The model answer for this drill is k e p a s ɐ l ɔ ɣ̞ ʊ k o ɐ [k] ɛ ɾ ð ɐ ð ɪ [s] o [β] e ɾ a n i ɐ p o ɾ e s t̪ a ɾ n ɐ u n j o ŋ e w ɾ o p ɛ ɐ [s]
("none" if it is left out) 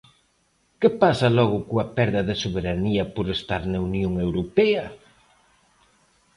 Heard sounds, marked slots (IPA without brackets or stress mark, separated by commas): p, s, β, none